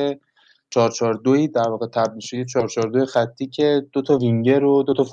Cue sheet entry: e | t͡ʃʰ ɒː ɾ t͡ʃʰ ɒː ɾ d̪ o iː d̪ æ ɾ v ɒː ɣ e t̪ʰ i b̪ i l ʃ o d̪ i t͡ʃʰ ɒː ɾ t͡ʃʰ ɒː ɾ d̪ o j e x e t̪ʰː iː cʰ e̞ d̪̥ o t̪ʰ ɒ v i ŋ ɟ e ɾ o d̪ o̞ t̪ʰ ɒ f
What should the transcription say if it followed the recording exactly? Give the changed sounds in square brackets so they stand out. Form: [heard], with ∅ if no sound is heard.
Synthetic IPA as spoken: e | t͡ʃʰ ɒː ɾ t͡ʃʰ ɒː ɾ d̪ o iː d̪ æ ɾ v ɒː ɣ e t̪ʰ [æ] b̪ i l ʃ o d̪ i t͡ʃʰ ɒː ɾ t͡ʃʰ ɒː ɾ d̪ o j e x [æ] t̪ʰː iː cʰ e̞ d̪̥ o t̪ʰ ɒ v i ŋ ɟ e ɾ o d̪ o̞ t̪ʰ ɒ f